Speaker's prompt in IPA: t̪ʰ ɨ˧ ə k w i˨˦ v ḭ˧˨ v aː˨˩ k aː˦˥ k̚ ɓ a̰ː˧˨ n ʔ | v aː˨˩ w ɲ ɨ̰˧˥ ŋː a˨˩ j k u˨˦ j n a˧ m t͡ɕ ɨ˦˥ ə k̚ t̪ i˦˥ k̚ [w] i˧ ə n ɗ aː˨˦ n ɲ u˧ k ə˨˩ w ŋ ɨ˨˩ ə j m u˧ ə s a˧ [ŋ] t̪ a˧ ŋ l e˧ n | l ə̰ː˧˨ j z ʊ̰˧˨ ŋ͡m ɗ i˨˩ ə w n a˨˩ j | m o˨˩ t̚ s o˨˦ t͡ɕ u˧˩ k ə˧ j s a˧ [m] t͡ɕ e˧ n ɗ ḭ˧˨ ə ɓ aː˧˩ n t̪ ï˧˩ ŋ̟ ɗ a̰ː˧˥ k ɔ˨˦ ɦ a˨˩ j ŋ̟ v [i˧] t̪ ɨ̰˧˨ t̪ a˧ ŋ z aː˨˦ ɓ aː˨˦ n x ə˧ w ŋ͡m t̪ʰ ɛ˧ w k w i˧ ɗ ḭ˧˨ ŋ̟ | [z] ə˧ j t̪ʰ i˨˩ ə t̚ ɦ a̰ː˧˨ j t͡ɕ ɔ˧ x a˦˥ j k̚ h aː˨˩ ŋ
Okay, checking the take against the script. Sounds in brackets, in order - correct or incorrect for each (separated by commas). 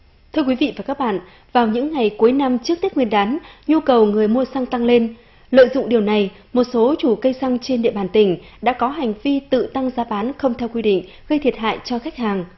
correct, correct, incorrect, correct, incorrect